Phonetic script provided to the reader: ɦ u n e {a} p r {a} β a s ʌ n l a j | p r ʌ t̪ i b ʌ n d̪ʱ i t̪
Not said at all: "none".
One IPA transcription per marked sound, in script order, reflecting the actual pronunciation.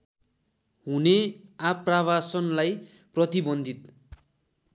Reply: a, a

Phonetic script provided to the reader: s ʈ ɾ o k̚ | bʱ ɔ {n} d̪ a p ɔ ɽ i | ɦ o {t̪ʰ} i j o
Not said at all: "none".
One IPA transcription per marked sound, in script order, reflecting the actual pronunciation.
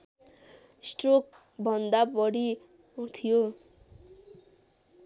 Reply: n, t̪ʰ

